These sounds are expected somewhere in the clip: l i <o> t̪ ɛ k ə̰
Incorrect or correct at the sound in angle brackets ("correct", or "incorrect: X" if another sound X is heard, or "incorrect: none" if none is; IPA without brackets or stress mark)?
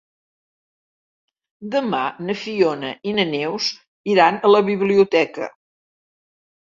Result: incorrect: u